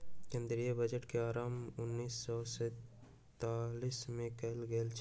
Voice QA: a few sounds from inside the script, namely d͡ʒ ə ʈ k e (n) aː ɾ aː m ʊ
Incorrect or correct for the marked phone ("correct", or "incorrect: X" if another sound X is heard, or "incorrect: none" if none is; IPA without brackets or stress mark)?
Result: incorrect: none